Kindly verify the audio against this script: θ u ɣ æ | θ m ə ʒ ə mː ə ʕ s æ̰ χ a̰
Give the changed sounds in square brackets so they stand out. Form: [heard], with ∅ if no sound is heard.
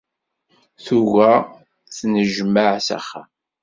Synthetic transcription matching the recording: θ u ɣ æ | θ [n] ə ʒ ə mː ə ʕ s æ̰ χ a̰